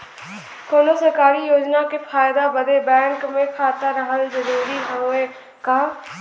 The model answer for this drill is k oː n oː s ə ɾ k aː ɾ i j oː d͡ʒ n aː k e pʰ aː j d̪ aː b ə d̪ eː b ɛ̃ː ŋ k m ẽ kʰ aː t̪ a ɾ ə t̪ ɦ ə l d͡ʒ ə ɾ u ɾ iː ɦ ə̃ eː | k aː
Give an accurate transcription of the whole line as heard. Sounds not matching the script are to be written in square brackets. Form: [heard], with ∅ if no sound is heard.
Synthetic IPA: k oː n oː s ə ɾ k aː ɾ i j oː d͡ʒ n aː k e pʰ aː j d̪ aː b ə d̪ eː b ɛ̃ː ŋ k m ẽ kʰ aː t̪ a ɾ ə [∅] ɦ ə l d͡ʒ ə ɾ [uː] ɾ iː ɦ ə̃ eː | k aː